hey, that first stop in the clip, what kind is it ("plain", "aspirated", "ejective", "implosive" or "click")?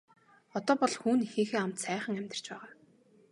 plain